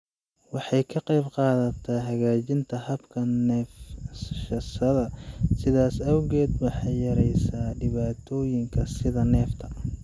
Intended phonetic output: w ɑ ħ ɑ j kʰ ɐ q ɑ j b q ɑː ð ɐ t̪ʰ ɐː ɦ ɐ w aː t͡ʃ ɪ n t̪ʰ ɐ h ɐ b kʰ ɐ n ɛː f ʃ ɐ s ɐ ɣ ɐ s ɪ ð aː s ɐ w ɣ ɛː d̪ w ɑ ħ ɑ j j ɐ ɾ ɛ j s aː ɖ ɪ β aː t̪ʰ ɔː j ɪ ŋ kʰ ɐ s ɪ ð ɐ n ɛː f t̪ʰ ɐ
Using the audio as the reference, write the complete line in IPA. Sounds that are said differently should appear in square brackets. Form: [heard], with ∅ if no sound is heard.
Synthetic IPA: w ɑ ħ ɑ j kʰ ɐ q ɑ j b q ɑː ð ɐ t̪ʰ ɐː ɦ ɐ [ɣ] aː t͡ʃ ɪ n t̪ʰ ɐ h ɐ b kʰ ɐ n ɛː f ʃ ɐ s ɐ [ð] ɐ s ɪ ð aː s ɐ w ɣ ɛː d̪ w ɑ ħ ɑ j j ɐ ɾ ɛ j s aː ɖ ɪ β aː t̪ʰ ɔː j ɪ ŋ kʰ ɐ s ɪ ð ɐ n ɛː f t̪ʰ ɐ